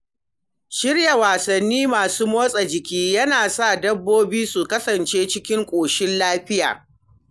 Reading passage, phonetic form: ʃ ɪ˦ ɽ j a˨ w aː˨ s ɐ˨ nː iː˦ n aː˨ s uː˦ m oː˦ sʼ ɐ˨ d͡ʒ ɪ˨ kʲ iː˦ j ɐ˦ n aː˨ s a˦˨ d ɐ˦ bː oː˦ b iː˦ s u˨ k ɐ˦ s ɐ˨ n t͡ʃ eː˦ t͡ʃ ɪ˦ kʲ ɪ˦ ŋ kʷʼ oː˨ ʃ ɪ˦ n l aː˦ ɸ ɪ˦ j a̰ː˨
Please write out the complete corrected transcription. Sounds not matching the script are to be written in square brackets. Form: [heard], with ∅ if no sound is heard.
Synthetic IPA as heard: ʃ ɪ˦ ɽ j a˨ w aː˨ s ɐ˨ nː iː˦ [m] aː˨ s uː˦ m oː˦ sʼ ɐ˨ d͡ʒ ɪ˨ kʲ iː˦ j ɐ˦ n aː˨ s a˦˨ d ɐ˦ bː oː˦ b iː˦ s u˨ k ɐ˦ s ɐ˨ n t͡ʃ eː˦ t͡ʃ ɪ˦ kʲ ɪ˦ ŋ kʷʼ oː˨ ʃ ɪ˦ n l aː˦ ɸ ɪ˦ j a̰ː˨